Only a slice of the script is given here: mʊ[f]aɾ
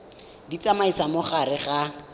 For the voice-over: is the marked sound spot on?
no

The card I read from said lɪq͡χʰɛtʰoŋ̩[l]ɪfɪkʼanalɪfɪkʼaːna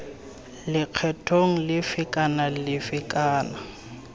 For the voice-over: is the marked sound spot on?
yes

